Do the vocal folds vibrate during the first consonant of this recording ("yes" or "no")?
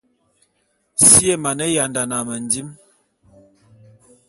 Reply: no